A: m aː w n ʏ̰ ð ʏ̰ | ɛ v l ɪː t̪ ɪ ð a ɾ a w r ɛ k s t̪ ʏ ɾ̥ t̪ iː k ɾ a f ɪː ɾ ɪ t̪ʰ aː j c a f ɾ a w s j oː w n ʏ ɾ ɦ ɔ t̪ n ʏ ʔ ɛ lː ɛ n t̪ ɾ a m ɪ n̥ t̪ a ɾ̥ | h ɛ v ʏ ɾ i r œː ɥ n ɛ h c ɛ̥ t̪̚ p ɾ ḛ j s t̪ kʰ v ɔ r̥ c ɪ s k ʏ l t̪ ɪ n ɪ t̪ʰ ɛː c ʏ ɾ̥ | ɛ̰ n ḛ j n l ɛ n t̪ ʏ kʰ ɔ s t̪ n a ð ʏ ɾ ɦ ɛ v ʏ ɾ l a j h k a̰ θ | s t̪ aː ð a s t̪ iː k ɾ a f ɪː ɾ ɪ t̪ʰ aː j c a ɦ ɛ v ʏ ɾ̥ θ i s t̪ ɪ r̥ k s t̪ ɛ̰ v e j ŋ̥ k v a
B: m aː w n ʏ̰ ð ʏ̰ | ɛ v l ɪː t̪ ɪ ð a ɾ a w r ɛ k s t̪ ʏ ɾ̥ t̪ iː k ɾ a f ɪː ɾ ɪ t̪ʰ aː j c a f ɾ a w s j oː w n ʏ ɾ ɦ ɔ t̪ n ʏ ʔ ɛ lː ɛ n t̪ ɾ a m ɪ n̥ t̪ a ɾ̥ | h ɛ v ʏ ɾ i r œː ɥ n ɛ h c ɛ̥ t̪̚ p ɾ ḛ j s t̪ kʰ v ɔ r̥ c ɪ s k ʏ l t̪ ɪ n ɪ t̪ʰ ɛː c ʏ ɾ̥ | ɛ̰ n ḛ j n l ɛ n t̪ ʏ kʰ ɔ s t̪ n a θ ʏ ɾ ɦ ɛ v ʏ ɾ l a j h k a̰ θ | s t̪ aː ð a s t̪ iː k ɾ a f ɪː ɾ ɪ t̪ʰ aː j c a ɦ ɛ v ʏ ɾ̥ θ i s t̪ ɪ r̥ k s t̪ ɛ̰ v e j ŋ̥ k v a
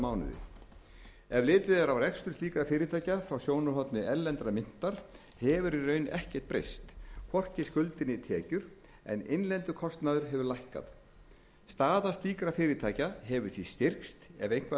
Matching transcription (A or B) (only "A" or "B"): A